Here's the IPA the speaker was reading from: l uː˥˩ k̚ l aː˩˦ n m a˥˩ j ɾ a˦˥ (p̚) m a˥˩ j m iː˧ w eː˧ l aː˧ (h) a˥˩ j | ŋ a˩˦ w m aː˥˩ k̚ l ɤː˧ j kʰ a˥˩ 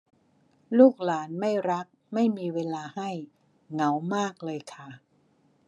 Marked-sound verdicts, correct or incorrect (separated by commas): incorrect, correct